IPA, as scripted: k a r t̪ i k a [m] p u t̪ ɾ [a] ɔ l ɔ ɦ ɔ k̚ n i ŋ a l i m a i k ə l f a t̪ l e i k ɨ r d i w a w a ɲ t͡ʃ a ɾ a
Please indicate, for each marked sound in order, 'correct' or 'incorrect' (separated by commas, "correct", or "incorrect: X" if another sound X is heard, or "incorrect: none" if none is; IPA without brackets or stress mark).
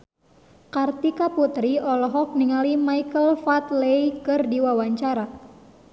incorrect: none, incorrect: i